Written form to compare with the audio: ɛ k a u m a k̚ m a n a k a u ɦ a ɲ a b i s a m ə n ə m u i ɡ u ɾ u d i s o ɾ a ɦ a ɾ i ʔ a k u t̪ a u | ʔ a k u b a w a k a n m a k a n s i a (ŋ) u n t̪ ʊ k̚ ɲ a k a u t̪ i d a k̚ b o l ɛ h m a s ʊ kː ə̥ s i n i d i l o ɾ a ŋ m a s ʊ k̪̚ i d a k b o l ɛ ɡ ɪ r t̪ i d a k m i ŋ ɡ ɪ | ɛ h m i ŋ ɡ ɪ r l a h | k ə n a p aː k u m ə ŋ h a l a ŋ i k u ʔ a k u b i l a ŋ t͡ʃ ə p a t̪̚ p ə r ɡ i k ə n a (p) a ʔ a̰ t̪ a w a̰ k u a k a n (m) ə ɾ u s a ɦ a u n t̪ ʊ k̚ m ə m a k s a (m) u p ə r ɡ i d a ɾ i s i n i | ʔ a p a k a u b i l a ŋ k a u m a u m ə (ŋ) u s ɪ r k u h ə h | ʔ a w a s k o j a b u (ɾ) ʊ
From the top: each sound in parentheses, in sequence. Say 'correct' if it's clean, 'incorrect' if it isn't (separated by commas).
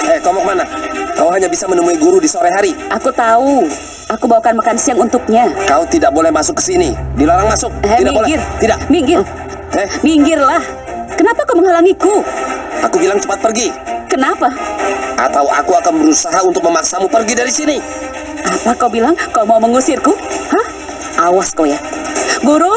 correct, correct, incorrect, correct, correct, correct